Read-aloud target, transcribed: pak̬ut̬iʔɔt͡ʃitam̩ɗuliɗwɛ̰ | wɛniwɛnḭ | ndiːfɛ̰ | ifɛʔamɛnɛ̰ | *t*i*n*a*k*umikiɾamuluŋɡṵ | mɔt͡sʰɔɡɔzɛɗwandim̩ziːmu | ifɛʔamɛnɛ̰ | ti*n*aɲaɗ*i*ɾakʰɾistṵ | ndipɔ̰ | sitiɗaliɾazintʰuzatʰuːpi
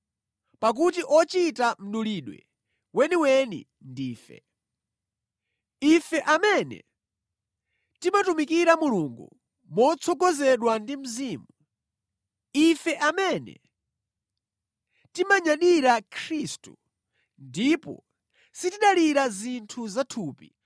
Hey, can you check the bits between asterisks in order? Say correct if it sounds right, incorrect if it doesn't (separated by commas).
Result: correct, incorrect, incorrect, incorrect, correct